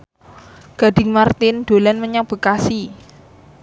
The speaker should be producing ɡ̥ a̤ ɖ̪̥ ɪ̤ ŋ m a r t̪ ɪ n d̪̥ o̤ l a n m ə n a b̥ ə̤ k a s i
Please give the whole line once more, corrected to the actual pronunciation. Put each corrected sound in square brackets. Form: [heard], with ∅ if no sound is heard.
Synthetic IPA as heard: ɡ̥ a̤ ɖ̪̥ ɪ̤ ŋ m a r t̪ ɪ n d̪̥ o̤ l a n m ə [ɲ] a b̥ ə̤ k a s i